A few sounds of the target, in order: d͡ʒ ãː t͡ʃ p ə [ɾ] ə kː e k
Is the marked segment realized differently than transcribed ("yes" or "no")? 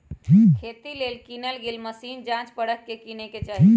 yes